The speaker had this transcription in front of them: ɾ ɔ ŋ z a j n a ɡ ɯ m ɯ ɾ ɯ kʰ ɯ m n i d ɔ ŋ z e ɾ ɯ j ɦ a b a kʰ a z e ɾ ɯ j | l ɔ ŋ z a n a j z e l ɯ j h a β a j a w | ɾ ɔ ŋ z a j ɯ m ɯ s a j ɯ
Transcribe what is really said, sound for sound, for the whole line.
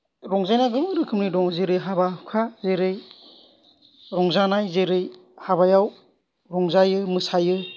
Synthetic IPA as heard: ɾ ɔ ŋ z a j n a ɡ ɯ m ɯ ɾ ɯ kʰ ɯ m n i d ɔ ŋ z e ɾ ɯ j ɦ a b a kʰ a z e ɾ ɯ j | ɾ ɔ ŋ z a n a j z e ɾ ɯ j h a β a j a w | ɾ ɔ ŋ z a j ɯ m ɯ s a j ɯ